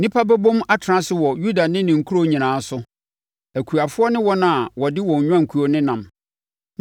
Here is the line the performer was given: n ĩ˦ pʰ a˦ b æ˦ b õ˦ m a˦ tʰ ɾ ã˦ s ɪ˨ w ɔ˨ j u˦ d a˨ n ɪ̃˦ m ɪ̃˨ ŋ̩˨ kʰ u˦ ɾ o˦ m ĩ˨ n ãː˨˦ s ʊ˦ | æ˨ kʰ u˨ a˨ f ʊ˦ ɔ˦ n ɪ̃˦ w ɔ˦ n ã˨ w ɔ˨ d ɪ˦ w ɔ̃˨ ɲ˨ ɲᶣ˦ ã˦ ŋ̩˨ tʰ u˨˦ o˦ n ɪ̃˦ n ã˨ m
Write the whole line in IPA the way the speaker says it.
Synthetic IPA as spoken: n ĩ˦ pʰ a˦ b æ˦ b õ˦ m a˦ tʰ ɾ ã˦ s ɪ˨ w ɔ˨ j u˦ d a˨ n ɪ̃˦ n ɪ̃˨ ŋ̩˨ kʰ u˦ ɾ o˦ ɲ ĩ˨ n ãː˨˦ s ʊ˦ | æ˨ kʰ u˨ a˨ f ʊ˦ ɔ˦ n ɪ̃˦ w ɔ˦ n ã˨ w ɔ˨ d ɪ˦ w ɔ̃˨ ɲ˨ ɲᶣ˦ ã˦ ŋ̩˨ kʰ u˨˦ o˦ n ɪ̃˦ n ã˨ m